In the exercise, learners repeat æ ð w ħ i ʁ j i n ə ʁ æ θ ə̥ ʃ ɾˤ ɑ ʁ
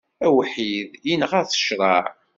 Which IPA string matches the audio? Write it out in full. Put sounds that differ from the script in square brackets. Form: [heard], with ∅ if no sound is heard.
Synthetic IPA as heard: æ [∅] w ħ i [ð] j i n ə ʁ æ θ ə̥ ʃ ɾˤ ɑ [ʕ]